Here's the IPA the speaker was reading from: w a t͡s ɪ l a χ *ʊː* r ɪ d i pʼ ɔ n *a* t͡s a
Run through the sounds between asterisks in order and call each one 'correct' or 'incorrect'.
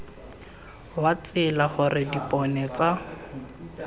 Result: incorrect: ʊ, incorrect: ɛ

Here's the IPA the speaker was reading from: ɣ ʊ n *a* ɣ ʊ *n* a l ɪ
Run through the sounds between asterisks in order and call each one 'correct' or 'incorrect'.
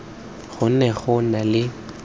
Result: incorrect: ɛ, correct

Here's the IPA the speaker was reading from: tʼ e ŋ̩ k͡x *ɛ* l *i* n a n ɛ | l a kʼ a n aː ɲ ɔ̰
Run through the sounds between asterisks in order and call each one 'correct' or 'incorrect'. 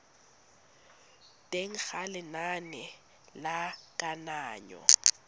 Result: incorrect: a, incorrect: ɪ

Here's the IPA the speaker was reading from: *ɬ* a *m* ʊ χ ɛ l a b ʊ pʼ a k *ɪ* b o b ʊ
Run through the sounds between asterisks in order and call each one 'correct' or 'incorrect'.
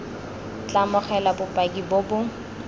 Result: incorrect: t͡ɬ, correct, incorrect: i

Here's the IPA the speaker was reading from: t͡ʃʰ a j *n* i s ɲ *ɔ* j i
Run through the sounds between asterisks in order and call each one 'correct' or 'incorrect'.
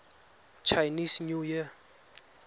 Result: correct, incorrect: u

